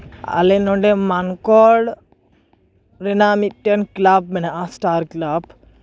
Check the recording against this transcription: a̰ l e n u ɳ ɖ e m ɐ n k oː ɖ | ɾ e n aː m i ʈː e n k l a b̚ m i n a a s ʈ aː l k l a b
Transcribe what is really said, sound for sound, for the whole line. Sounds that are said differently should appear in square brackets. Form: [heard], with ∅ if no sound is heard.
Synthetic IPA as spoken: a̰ l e n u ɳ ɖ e m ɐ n k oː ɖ | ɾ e n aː m i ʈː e n k l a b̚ m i n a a s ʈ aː [ɾ] k l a b

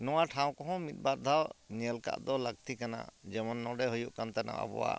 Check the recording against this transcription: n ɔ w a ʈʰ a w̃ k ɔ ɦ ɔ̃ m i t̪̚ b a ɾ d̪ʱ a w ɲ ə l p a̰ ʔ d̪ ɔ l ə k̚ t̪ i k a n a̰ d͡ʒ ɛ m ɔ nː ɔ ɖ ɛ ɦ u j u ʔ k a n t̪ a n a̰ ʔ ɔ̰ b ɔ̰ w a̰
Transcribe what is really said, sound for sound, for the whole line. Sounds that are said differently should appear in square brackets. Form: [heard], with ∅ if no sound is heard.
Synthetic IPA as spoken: n ɔ w a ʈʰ a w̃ k ɔ ɦ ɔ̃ m i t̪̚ b a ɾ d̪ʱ a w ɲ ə l [k] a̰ ʔ d̪ ɔ l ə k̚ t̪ i k a n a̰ d͡ʒ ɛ m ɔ nː ɔ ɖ ɛ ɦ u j u ʔ k a n t̪ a n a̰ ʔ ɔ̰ b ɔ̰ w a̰

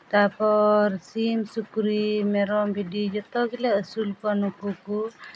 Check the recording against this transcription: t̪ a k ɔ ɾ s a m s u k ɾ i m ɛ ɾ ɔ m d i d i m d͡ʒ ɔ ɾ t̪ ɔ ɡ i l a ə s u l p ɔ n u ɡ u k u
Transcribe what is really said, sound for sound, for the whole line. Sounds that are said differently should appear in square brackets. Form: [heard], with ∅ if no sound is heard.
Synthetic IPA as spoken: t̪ a [p] ɔ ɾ s [i] m s u k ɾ i m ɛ ɾ ɔ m [b] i d i [∅] d͡ʒ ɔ [∅] t̪ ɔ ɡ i l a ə s u l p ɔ n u [k] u k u

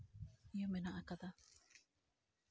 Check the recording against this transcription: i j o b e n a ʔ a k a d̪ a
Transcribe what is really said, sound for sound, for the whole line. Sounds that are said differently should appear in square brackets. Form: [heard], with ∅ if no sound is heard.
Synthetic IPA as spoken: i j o [m] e n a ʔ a k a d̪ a

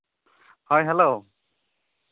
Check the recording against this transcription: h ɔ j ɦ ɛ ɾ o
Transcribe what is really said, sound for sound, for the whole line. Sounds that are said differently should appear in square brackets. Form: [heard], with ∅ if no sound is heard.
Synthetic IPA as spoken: h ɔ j ɦ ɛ [l] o

